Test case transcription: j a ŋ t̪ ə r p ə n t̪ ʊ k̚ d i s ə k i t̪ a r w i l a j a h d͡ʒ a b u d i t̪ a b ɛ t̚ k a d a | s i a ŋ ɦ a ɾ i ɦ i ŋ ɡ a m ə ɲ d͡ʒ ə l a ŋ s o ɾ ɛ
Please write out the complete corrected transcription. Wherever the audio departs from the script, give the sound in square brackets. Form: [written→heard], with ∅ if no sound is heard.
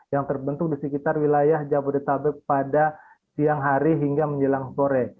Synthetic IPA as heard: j a ŋ t̪ ə r [p→b] ə n t̪ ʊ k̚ d i s ə k i t̪ a r w i l a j a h d͡ʒ a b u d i t̪ a b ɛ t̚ [k→p] a d a | s i a ŋ ɦ a ɾ i ɦ i ŋ ɡ a m ə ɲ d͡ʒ ə l a ŋ s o ɾ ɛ